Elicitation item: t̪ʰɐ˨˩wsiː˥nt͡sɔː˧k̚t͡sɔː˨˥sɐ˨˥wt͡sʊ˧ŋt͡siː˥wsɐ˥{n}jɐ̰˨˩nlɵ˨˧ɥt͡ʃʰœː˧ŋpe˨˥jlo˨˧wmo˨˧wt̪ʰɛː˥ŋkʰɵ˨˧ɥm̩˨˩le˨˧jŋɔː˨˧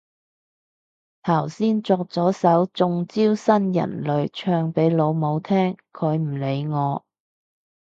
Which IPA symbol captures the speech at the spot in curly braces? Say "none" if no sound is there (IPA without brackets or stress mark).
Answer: n